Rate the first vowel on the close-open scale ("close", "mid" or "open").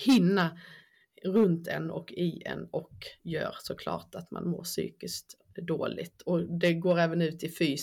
close